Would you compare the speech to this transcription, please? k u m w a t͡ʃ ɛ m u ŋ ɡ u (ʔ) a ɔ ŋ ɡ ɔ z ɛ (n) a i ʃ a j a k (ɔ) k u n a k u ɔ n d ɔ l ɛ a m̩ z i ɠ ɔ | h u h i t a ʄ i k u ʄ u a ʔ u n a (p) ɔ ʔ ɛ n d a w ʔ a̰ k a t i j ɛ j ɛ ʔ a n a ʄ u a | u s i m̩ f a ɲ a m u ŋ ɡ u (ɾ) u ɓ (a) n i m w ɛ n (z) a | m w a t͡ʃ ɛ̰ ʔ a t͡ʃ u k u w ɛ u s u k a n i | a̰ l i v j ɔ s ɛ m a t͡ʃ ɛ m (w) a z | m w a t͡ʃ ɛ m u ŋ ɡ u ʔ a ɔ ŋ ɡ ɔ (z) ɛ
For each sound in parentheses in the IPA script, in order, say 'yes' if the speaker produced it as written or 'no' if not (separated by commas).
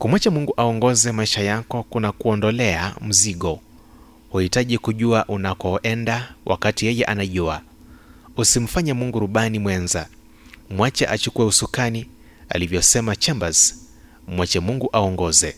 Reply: yes, no, yes, no, yes, yes, yes, no, yes